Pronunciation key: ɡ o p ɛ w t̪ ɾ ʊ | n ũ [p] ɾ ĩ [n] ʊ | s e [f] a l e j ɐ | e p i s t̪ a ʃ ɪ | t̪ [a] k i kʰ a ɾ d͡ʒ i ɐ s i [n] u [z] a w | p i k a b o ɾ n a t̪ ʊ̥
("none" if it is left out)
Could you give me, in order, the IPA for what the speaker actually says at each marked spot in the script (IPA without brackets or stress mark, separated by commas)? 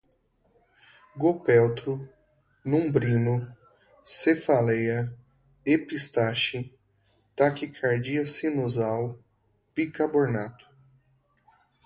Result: b, n, f, a, n, z